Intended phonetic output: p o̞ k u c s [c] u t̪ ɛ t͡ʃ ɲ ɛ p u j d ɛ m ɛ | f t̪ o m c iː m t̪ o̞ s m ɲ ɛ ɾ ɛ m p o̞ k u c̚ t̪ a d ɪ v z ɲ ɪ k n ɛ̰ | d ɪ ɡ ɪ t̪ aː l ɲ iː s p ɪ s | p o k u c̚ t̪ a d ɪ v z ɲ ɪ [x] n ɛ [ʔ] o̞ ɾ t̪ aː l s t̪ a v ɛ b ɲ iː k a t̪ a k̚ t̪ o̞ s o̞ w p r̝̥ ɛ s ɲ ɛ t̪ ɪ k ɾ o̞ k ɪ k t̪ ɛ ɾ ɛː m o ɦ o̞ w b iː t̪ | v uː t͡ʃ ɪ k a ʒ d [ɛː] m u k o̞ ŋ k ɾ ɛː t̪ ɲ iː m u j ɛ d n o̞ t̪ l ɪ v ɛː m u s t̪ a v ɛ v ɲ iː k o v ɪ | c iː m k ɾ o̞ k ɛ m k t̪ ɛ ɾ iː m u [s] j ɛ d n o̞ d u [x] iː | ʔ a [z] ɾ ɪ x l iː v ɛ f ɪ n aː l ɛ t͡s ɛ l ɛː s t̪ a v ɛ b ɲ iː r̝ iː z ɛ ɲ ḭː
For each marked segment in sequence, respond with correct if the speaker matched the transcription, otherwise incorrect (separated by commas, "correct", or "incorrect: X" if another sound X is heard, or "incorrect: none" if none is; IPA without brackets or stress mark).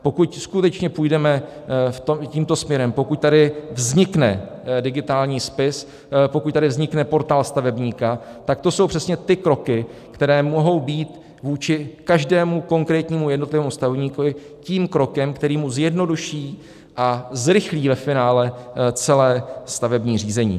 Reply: incorrect: k, incorrect: k, incorrect: p, correct, incorrect: z, incorrect: ʃ, correct